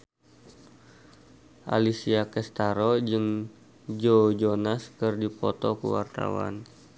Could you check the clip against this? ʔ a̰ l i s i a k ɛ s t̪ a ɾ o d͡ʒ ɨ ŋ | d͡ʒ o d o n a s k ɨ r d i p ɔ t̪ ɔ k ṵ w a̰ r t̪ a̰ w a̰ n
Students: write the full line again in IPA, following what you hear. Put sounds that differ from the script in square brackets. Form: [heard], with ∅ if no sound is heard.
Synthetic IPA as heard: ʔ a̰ l i s i a k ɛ s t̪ a ɾ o d͡ʒ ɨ ŋ | d͡ʒ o [d͡ʒ] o n a s k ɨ r d i p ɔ t̪ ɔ k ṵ w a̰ r t̪ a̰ w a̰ n